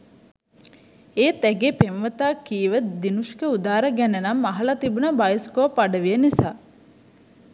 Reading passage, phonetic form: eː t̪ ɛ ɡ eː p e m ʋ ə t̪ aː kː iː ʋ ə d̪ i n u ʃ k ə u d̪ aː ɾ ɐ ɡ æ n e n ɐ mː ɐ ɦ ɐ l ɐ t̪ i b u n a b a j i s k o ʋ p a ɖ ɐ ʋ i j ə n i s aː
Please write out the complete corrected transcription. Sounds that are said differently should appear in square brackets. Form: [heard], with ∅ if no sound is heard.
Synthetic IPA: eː t̪ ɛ ɡ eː p e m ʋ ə t̪ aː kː iː ʋ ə d̪ i n u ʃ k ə u d̪ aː ɾ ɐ ɡ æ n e n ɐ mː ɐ ɦ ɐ l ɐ t̪ i b u n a b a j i s k o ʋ p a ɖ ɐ ʋ i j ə n i s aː